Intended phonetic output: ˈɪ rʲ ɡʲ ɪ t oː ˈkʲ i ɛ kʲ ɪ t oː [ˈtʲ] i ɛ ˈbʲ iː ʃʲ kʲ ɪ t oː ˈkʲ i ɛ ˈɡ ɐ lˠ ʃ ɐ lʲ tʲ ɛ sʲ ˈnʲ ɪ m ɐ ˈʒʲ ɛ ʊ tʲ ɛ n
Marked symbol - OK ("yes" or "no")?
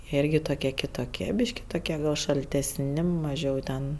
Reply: no